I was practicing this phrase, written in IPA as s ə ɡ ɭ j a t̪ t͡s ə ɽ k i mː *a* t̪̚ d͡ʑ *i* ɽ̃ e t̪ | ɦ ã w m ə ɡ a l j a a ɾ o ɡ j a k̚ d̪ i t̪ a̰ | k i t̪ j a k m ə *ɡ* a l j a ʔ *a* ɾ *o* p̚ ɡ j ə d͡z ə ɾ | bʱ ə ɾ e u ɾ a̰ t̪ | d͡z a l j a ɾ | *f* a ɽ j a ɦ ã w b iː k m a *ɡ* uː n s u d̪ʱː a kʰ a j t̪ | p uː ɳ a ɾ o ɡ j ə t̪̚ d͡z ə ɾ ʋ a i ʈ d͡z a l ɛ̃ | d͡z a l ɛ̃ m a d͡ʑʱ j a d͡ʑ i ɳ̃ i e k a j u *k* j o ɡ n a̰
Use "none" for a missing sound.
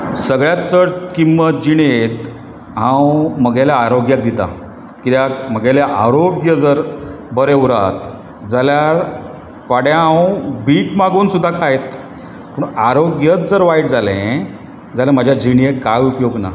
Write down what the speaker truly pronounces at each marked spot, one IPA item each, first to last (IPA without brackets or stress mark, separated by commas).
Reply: ə, i, ɡ, a, o, f, ɡ, p